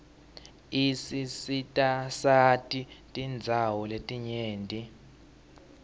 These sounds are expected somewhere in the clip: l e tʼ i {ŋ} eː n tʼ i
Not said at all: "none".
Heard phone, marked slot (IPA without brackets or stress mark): ɲ